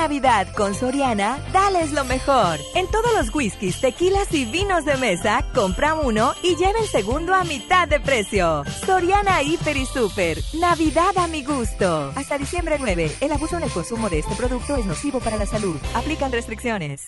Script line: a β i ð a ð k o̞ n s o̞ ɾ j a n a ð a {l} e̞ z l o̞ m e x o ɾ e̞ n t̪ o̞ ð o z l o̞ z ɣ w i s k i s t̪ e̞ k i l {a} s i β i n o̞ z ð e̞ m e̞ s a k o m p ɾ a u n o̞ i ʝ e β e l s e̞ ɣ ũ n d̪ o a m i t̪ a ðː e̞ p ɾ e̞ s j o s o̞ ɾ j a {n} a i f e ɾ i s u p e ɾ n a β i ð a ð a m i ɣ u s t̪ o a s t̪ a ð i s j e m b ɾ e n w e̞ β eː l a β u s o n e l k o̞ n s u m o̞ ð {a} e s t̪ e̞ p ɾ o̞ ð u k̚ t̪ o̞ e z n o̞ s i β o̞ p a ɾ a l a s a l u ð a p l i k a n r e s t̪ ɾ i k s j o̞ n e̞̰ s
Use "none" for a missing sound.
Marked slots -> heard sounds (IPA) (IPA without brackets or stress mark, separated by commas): l, a, n, e